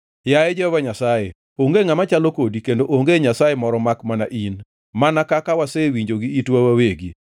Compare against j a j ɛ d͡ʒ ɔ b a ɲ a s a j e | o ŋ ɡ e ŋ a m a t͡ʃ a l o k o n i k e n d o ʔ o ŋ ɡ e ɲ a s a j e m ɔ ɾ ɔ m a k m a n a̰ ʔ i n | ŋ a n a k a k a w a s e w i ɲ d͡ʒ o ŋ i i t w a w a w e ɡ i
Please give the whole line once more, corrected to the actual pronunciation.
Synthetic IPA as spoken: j a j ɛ d͡ʒ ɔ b a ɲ a s a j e | o ŋ ɡ e ŋ a m a t͡ʃ a l o k o d i k e n d o ʔ o ŋ ɡ e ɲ a s a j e m ɔ ɾ ɔ m a k m a n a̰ ʔ i n | m a n a k a k a w a s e w i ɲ d͡ʒ o ɡ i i t w a w a w e ɡ i